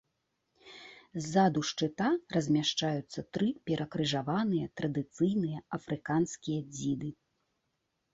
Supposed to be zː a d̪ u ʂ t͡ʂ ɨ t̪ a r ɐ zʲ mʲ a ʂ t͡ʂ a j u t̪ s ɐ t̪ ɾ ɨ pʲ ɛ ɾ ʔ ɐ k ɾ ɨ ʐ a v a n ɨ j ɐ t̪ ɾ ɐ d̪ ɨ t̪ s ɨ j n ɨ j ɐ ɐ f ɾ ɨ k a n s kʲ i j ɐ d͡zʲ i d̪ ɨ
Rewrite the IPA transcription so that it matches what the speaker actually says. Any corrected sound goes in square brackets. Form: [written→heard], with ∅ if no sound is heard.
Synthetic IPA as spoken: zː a d̪ u ʂ t͡ʂ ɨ t̪ a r ɐ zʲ mʲ a ʂ t͡ʂ a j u t̪ [s→sː] ɐ t̪ ɾ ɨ pʲ ɛ ɾ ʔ ɐ k ɾ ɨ ʐ a v a n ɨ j ɐ t̪ ɾ ɐ d̪ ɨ t̪ s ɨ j n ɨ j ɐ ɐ f ɾ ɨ k a n s kʲ i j ɐ d͡zʲ i d̪ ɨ